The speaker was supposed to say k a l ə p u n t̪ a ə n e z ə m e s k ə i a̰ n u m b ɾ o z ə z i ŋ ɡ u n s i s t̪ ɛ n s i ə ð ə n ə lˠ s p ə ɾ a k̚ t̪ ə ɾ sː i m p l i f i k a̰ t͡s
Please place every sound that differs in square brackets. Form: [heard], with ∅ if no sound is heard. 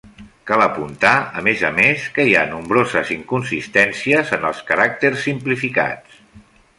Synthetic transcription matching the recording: k a l ə p u n t̪ a ə [m] e z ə m e s k ə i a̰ n u m b ɾ o z ə z i ŋ [k] u n s i s t̪ ɛ n s i ə [z] ə n ə lˠ s [k] ə ɾ a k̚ t̪ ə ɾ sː i m p l i f i k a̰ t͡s